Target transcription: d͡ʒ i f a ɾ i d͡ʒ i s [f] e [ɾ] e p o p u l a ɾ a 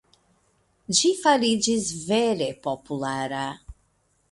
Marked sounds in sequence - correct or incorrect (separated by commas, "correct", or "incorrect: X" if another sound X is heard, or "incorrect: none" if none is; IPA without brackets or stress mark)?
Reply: incorrect: v, correct